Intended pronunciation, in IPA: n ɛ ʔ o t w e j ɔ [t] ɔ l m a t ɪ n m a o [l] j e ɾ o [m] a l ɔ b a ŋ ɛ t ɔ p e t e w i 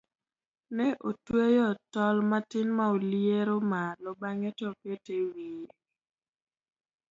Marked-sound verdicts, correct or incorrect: correct, correct, correct

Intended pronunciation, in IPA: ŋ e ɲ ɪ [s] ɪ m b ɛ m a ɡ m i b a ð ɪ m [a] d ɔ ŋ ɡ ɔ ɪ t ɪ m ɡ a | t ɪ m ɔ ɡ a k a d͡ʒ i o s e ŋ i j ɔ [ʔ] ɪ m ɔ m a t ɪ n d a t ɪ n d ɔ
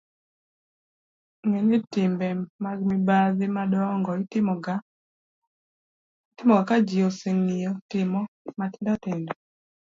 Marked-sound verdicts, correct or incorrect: incorrect, correct, incorrect

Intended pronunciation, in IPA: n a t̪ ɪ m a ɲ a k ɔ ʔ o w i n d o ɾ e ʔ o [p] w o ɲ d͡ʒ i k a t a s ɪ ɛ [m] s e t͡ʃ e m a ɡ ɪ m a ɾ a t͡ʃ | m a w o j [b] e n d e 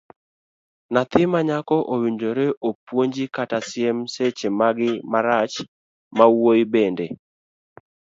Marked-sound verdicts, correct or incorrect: correct, correct, correct

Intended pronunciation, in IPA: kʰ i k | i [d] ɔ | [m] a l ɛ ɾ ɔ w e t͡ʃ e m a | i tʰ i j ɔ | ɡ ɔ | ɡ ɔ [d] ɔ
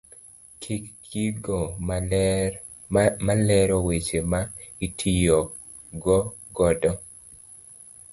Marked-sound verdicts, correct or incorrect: incorrect, correct, correct

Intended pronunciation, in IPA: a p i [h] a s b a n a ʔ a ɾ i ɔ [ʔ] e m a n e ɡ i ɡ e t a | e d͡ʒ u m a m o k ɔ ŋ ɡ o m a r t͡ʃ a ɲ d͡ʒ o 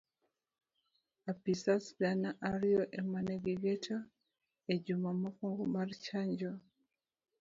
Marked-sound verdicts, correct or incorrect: incorrect, correct

